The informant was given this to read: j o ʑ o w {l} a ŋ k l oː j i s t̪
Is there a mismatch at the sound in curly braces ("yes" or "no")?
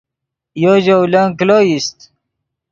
no